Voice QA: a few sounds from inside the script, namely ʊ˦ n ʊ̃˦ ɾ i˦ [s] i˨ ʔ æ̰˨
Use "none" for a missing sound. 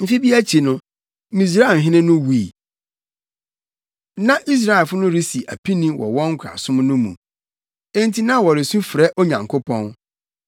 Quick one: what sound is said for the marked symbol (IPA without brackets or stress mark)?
s